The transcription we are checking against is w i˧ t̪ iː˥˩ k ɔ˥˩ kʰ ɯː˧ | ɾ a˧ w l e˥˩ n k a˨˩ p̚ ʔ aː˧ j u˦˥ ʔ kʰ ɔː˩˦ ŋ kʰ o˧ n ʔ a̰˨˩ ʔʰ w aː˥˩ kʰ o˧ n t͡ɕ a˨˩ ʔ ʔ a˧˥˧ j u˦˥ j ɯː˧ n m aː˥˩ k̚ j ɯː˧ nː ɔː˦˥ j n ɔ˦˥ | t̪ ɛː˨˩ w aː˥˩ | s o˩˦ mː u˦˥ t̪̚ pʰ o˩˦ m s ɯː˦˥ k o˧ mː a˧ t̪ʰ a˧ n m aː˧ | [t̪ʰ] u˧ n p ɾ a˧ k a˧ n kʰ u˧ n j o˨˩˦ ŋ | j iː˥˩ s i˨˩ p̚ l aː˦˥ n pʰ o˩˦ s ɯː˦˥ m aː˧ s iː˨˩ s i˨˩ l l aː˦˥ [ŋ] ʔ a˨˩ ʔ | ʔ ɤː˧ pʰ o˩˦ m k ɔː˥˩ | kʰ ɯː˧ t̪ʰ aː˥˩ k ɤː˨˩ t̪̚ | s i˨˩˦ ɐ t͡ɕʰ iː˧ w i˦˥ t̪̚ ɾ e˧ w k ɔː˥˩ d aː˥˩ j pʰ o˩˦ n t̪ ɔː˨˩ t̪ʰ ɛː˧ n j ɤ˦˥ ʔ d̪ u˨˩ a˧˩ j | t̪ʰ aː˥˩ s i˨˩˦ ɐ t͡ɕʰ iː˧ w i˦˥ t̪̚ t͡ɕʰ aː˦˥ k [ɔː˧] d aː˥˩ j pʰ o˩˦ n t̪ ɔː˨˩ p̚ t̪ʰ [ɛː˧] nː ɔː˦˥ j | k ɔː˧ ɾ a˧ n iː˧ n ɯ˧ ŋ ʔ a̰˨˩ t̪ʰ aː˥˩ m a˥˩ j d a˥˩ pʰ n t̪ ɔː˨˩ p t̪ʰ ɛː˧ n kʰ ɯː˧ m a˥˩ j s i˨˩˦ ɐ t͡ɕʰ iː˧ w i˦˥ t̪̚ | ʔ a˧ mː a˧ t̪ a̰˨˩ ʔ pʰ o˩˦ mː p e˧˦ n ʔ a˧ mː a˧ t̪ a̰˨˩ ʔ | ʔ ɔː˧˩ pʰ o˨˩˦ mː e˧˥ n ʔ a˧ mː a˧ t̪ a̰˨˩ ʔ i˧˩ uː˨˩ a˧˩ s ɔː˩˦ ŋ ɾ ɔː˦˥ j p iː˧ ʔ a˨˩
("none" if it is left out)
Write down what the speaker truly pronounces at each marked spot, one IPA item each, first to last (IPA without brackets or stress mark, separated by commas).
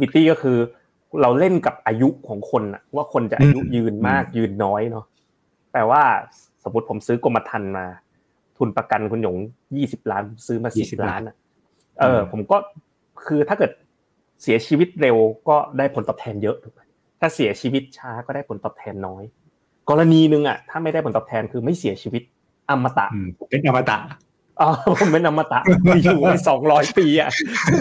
t̪ʰ, n, ɔː˥˩, ɛː˧